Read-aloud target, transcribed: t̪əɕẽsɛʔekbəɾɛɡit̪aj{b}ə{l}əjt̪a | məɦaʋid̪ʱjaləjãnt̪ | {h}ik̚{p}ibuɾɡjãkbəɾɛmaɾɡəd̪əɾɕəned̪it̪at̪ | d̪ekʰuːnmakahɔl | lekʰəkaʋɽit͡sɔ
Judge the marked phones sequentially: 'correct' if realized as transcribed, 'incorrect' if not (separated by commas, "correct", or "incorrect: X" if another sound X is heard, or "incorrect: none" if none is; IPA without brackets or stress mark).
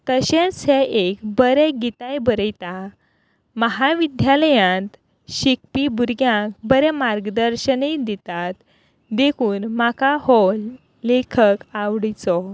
correct, incorrect: ɾ, incorrect: ɕ, correct